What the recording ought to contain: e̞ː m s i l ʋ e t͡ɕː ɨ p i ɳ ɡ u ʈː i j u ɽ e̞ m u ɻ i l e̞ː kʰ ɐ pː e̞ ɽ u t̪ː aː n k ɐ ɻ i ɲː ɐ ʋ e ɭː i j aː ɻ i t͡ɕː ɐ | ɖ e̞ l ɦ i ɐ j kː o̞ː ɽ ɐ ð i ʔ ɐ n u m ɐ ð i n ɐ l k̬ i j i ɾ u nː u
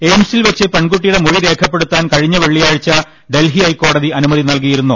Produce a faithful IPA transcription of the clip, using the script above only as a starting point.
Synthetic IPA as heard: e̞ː m s i l ʋ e t͡ɕː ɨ p e ɳ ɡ u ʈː i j u ɽ e̞ m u ɻ i ɾ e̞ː kʰ ɐ pː e̞ ɽ u t̪ː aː n k ɐ ɻ i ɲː ɐ ʋ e ɭː i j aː ɻ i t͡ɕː ɐ | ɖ e̞ l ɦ i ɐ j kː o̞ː ɽ ɐ ð i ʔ ɐ n u m ɐ ð i n ɐ l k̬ i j i ɾ u nː u